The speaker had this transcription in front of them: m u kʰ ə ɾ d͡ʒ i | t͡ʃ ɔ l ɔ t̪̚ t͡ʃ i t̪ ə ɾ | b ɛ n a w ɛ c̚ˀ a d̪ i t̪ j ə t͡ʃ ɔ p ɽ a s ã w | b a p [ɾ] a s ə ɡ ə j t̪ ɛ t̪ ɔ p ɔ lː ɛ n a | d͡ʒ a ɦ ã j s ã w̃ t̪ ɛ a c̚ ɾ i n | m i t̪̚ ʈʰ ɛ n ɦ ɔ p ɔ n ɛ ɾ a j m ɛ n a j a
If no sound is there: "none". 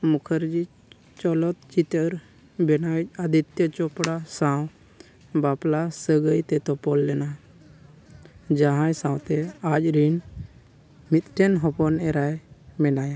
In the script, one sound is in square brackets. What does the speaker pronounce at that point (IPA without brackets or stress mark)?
l